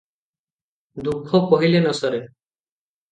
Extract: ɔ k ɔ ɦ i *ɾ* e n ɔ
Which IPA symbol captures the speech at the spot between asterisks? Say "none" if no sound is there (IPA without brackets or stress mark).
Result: l